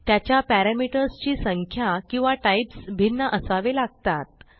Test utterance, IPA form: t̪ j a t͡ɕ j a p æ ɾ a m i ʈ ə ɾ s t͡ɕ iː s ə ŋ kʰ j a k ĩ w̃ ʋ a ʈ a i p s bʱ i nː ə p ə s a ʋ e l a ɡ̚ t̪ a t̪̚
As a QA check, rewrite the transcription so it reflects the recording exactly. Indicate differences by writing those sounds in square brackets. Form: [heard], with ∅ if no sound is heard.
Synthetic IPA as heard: t̪ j a t͡ɕ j a p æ ɾ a m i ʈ ə ɾ s t͡ɕ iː s ə ŋ kʰ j a k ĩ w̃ ʋ a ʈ a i p s bʱ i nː ə [ʔ] ə s a ʋ e l a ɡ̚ t̪ a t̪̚